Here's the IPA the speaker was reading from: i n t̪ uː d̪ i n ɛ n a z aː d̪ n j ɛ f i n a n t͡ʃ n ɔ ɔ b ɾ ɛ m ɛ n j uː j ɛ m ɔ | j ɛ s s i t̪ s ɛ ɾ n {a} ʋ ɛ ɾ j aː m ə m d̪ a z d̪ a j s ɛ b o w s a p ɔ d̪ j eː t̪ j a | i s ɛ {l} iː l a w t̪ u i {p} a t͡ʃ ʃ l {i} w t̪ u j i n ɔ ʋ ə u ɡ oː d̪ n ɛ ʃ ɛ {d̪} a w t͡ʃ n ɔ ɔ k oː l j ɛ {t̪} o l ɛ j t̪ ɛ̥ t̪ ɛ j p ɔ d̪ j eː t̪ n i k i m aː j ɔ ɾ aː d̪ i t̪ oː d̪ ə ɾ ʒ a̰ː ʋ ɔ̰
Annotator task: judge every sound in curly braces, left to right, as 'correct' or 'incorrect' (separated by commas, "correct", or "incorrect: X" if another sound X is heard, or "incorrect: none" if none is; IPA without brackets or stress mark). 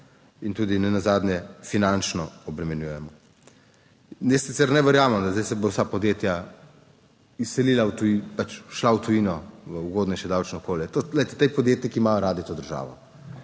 incorrect: ɛ, correct, correct, incorrect: a, correct, correct